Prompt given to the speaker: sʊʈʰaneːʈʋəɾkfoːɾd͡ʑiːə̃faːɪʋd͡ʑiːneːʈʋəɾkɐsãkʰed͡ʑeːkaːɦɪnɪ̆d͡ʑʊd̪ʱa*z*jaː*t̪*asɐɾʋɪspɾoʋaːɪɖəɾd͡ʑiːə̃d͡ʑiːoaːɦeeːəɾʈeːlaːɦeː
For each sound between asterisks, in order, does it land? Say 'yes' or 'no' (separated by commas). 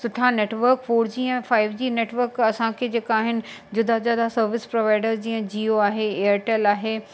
yes, no